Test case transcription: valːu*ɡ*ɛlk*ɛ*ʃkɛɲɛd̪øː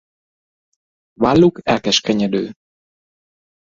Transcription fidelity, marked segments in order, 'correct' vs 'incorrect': incorrect: k, correct

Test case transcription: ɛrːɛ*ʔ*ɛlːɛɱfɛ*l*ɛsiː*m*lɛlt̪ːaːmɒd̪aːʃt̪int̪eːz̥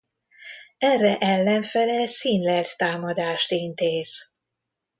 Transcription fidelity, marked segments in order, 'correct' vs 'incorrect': correct, correct, incorrect: n

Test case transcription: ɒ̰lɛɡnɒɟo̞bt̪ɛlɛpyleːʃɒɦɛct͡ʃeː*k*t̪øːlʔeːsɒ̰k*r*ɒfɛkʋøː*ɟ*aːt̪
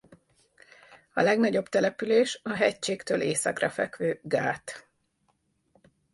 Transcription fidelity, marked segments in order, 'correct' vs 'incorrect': correct, correct, incorrect: ɡ

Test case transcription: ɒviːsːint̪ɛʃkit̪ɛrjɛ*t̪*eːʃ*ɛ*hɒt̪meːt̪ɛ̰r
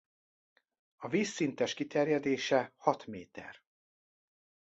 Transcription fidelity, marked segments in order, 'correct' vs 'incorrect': incorrect: d̪, correct

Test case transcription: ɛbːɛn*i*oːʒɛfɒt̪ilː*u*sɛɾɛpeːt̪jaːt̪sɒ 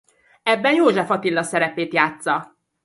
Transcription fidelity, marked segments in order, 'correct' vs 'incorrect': incorrect: j, incorrect: ɒ

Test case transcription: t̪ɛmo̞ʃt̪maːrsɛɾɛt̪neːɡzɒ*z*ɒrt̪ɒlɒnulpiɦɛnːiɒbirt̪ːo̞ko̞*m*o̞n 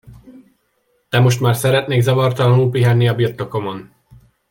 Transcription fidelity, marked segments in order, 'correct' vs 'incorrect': incorrect: v, correct

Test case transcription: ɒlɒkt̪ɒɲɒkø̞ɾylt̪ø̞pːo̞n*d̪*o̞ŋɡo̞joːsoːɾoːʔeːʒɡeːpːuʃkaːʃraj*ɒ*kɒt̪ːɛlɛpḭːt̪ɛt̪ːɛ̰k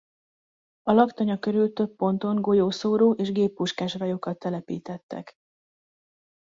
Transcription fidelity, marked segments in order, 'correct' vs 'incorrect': incorrect: t̪, incorrect: o

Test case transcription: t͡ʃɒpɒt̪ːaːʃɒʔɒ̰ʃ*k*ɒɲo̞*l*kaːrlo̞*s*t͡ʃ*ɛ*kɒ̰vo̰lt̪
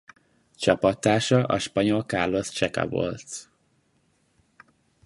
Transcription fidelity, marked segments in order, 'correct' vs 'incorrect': incorrect: p, correct, correct, correct

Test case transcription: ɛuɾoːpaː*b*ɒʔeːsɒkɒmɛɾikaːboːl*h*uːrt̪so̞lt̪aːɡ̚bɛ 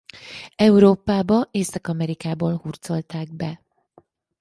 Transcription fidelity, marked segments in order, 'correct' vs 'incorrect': correct, correct

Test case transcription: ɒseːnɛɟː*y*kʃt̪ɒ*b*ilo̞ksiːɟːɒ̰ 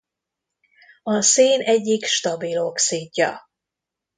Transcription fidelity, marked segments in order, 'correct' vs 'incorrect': incorrect: i, correct

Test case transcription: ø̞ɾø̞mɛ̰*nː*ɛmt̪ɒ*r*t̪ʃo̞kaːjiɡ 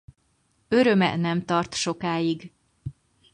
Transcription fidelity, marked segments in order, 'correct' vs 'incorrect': incorrect: n, correct

